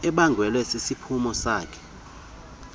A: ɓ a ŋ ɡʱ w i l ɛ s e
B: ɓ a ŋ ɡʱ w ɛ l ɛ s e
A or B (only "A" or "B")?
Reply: B